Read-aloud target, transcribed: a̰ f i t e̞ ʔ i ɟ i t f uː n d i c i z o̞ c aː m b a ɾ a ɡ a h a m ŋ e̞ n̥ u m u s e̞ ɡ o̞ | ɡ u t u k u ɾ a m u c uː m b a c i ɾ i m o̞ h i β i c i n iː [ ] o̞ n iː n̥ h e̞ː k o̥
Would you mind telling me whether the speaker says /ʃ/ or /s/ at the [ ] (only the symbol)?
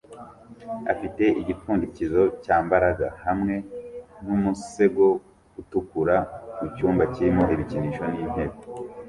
ʃ